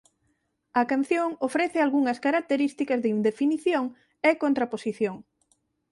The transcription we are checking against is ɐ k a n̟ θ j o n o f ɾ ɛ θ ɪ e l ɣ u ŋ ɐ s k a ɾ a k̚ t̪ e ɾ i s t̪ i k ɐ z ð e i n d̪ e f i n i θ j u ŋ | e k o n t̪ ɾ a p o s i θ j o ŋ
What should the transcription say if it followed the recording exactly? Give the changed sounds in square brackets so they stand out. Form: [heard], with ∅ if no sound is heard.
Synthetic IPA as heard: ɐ k a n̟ θ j o [ŋ] o f ɾ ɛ θ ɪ [a] l ɣ u ŋ ɐ s k a ɾ a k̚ t̪ e ɾ i s t̪ i k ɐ z ð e i n d̪ e f i n i θ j [o] ŋ | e k o n t̪ ɾ a p o s i θ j o ŋ